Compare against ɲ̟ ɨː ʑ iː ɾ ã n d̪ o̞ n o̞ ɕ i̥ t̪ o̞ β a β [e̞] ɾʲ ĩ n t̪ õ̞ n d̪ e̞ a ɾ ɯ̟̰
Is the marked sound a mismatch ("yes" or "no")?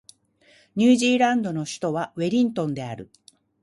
no